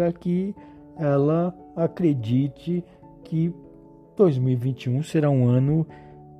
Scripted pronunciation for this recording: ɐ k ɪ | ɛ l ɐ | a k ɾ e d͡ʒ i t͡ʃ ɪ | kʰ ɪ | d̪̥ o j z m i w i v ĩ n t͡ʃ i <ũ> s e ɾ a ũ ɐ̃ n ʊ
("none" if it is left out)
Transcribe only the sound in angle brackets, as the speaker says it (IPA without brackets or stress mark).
ũ